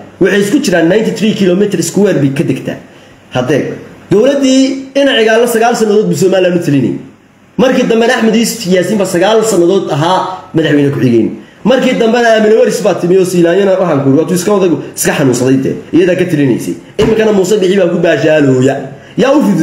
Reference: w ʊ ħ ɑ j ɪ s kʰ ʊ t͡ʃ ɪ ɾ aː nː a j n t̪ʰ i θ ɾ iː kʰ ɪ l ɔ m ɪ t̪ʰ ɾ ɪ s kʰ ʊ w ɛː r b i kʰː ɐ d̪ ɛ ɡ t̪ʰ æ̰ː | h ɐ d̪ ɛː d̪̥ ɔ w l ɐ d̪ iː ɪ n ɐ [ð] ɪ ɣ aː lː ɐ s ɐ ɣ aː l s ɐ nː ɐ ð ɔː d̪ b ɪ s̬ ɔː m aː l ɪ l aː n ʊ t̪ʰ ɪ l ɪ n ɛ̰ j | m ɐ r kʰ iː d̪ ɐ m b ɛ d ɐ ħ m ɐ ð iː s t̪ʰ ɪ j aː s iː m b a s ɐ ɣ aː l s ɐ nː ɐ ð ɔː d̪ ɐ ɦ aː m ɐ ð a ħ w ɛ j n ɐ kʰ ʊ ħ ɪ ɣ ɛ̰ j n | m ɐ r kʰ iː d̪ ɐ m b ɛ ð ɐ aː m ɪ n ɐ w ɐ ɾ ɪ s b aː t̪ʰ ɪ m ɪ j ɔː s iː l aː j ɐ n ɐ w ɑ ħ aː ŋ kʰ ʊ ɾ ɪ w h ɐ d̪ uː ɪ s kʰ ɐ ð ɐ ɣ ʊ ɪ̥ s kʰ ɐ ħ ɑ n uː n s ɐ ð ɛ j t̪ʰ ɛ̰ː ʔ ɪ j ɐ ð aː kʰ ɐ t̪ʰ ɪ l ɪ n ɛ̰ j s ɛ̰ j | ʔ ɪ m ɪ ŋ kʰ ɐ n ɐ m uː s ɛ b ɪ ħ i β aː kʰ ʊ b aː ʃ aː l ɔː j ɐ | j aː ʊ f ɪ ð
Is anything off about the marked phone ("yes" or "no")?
yes